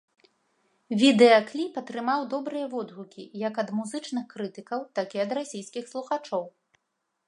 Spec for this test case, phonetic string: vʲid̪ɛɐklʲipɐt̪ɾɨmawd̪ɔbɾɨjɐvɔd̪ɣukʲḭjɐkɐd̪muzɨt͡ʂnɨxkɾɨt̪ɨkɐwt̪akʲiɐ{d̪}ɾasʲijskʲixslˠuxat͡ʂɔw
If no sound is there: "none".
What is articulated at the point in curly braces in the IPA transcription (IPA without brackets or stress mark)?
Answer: d̪